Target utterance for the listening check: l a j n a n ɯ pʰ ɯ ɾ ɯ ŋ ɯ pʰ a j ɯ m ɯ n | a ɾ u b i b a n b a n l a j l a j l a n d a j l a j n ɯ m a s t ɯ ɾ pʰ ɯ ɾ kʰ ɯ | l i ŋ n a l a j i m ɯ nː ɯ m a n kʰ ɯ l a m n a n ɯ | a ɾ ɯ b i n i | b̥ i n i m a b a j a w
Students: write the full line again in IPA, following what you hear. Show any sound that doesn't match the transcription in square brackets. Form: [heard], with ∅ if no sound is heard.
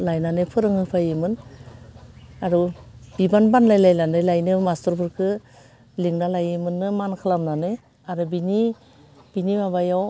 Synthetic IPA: l a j n a n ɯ pʰ ɯ ɾ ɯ ŋ ɯ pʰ a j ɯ m ɯ n | a ɾ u b i b a n b a n l a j l a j l a n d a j l a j n ɯ m a s t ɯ ɾ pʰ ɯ ɾ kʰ ɯ | l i ŋ n a l a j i m ɯ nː ɯ m a n kʰ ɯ l a m n a n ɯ | a ɾ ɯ b i n i | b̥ i n i m a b a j a w